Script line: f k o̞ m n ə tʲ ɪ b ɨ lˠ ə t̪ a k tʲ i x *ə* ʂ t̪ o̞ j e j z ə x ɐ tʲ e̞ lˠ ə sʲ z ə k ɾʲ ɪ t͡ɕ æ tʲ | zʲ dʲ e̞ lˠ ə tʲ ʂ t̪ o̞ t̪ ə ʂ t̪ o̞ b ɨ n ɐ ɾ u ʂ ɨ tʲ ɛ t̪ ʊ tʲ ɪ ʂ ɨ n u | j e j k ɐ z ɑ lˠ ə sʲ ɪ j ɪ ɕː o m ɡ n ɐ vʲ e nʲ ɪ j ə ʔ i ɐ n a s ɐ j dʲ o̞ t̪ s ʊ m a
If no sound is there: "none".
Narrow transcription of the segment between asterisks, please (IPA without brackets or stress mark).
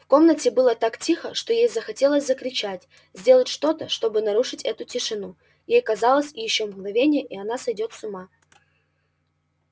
ə